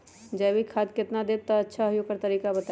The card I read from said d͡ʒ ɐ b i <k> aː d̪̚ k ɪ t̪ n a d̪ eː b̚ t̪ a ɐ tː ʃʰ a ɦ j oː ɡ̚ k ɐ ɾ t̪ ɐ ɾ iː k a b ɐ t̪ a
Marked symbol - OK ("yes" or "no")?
no